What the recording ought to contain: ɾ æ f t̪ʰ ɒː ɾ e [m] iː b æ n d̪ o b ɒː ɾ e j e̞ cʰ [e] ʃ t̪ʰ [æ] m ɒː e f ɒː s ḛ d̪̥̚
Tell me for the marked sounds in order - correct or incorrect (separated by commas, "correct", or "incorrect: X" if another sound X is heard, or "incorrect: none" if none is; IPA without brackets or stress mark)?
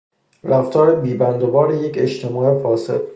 incorrect: b, correct, incorrect: e